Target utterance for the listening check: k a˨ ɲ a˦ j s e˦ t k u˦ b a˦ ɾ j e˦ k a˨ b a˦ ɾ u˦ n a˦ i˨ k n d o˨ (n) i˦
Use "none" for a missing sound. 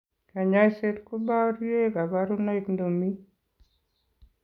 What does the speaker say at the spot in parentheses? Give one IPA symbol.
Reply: m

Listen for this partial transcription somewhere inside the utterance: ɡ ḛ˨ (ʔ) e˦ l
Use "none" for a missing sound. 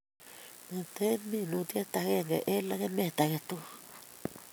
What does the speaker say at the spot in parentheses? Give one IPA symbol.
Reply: ʔ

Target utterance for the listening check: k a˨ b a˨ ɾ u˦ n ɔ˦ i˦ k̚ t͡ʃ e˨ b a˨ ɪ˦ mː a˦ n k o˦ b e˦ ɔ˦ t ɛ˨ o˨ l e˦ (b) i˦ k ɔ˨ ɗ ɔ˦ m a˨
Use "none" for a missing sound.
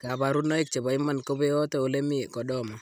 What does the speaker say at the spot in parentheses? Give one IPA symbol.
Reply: m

